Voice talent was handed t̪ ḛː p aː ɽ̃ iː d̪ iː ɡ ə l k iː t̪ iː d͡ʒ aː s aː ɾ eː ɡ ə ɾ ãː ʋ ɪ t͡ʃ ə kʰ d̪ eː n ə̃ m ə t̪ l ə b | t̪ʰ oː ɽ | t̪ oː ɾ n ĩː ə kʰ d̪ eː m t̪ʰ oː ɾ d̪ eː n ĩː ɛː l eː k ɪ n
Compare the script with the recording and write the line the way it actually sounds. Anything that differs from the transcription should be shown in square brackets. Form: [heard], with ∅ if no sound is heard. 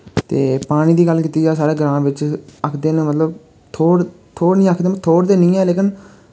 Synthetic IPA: t̪ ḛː p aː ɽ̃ iː d̪ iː ɡ ə l k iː t̪ iː d͡ʒ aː s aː ɾ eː ɡ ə ɾ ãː ʋ ɪ t͡ʃ ə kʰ d̪ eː n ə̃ m ə t̪ l ə b | t̪ʰ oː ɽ | [t̪ʰ] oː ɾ n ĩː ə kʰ d̪ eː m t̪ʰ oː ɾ d̪ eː n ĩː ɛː l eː k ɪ n